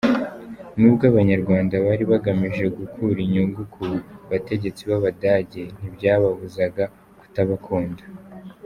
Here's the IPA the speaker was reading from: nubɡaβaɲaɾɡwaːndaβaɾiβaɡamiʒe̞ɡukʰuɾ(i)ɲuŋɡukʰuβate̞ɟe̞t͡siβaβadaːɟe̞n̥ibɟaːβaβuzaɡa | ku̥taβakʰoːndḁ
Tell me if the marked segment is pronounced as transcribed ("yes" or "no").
yes